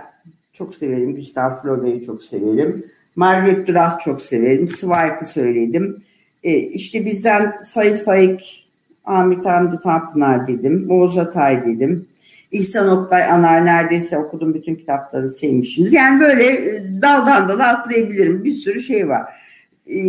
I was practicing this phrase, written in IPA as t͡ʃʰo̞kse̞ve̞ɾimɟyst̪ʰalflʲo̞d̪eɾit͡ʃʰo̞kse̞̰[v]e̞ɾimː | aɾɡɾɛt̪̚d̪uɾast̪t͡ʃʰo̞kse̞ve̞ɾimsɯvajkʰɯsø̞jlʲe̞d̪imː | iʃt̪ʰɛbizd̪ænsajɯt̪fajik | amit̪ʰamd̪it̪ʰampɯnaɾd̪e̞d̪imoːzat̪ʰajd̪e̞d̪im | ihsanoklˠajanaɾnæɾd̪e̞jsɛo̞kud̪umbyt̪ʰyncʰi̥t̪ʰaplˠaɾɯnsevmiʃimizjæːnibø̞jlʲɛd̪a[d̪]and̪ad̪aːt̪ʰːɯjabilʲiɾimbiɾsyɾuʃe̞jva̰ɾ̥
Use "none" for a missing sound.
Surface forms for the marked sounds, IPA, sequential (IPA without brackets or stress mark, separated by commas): v, d̪